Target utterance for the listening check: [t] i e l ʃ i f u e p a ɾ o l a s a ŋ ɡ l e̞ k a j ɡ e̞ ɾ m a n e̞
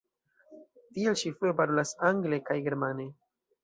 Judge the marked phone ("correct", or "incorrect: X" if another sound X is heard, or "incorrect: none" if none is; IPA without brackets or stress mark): correct